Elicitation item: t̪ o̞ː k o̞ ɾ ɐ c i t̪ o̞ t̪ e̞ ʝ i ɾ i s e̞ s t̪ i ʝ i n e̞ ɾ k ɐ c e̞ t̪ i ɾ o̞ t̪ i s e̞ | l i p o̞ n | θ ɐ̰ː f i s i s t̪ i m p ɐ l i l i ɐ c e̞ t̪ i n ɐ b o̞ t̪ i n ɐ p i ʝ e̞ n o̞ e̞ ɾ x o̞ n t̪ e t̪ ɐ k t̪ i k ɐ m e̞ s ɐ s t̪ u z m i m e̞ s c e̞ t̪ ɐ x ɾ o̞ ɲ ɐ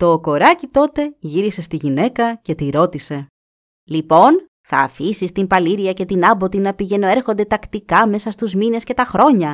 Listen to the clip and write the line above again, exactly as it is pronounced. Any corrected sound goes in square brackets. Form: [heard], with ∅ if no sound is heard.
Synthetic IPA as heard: t̪ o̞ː k o̞ ɾ ɐ c i t̪ o̞ t̪ e̞ ʝ i ɾ i s e̞ s t̪ i ʝ i n e̞ [∅] k ɐ c e̞ t̪ i ɾ o̞ t̪ i s e̞ | l i p o̞ n | θ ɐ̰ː f i s i s t̪ i m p ɐ l i [ɾ] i ɐ c e̞ t̪ i n ɐ b o̞ t̪ i n ɐ p i ʝ e̞ n o̞ e̞ ɾ x o̞ n [d̪] e t̪ ɐ k t̪ i k ɐ m e̞ s ɐ s t̪ u z m i [n] e̞ s c e̞ t̪ ɐ x ɾ o̞ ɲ ɐ